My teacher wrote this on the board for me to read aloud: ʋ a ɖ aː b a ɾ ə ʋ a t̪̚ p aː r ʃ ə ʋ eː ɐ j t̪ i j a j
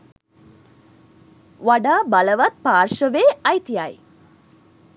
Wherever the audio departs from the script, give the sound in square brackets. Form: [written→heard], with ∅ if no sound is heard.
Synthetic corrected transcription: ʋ a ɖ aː b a [ɾ→l] ə ʋ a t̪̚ p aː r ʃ ə ʋ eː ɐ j t̪ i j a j

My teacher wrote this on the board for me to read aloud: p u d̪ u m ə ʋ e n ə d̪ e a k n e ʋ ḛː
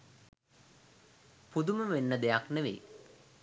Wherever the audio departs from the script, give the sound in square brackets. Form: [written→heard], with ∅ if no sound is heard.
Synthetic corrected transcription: p u d̪ u m ə ʋ e [n→nː] ə d̪ e a k n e ʋ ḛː

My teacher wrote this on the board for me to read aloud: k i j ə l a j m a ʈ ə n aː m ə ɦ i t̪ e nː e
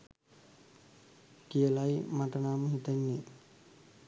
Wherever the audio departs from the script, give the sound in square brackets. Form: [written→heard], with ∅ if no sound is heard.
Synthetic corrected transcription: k i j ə l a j m a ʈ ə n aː m ə ɦ i t̪ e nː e

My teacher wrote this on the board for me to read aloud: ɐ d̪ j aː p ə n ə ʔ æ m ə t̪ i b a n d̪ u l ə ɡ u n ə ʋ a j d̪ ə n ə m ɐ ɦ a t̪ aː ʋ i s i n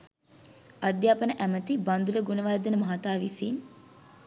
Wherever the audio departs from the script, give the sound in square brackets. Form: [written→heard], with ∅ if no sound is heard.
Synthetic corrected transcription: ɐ d̪ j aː p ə n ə ʔ æ m ə t̪ i b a n d̪ u l ə ɡ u n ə ʋ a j d̪ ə n ə m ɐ ɦ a t̪ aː ʋ i s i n

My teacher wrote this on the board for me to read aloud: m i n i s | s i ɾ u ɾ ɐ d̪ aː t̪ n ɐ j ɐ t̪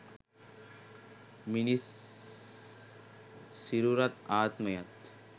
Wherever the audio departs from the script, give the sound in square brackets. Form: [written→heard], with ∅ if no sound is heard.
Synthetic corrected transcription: m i n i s | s i ɾ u ɾ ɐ [d̪→t̪] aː t̪ [n→m] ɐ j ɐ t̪

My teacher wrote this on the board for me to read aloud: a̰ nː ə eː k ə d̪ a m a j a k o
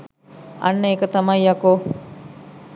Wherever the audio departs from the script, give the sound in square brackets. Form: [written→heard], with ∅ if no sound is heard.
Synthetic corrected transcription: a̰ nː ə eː k ə [d̪→t̪] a m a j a k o

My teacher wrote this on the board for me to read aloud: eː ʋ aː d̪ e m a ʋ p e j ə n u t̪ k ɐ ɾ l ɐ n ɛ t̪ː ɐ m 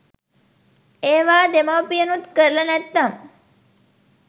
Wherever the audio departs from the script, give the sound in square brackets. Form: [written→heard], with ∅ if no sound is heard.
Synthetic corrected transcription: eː ʋ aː d̪ e m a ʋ p [e→i] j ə n u t̪ k [ɐ→ə] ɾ l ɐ n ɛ t̪ː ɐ m

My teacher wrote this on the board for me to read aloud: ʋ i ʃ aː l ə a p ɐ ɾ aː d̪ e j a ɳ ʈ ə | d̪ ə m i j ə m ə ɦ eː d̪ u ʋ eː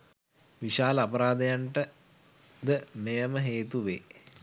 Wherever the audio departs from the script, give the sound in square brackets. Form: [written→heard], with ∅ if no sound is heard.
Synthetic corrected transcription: ʋ i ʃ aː l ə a p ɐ ɾ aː d̪ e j a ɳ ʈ ə | d̪ ə m [i→e] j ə m ə ɦ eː [d̪→t̪] u ʋ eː

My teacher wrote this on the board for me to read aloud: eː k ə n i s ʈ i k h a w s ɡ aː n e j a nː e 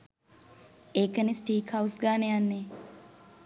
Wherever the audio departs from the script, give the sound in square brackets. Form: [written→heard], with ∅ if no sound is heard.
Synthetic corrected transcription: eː k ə n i s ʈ [i→iː] k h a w s ɡ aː n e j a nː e

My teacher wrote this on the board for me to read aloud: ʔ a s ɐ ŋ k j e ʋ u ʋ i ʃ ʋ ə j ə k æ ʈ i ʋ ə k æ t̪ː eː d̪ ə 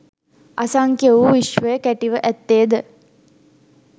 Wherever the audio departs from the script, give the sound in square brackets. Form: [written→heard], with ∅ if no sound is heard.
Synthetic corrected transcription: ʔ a s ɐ ŋ k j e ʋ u ʋ i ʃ ʋ ə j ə k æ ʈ i ʋ ə [k→ʔ] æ t̪ː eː d̪ ə

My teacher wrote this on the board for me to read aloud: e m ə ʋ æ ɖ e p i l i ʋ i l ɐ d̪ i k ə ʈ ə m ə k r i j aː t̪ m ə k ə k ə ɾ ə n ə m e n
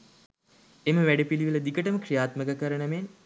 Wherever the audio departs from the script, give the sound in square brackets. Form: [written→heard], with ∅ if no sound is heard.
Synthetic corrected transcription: e m ə ʋ æ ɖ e p i l i ʋ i l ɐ d̪ i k ə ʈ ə m ə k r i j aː t̪ m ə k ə k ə ɾ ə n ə m e n

